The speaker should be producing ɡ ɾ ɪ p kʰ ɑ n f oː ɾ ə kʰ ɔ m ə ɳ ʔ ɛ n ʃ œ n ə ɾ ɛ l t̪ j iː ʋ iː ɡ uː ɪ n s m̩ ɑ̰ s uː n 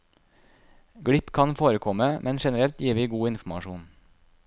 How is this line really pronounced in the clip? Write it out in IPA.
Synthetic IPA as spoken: ɡ ɽ ɪ p kʰ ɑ n f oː ɾ ə kʰ ɔ m ə m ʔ ɛ n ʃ ɛ n ə ɾ ɛ l t̪ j iː ʋ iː ɡ uː ɪ n f m̩ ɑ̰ ʃ uː n